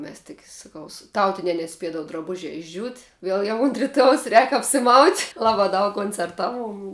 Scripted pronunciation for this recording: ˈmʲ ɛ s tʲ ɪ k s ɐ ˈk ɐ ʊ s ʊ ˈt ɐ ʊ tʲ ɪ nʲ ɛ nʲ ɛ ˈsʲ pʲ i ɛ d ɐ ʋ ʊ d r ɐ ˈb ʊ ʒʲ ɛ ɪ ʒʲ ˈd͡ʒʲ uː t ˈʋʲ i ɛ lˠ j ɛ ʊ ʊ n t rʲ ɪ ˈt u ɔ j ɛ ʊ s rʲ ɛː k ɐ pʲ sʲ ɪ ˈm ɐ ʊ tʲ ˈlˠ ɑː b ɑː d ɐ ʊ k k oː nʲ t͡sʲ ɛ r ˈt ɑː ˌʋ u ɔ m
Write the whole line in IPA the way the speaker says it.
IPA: ˈmʲ ɛ s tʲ ɪ k s ɐ ˈk ɐ ʊ s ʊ ˈt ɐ ʊ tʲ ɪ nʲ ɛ nʲ ɛ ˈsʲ pʲ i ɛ d ɐ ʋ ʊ d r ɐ ˈb ʊ ʒʲ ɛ ɪ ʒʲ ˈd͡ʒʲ uː t ˈʋʲ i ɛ lˠ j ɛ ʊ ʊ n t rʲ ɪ ˈt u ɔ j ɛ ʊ s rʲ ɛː k ɐ pʲ sʲ ɪ ˈm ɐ ʊ tʲ ˈlˠ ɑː b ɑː d ɐ ʊ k k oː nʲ t͡sʲ ɛ r ˈt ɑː ˌʋ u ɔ m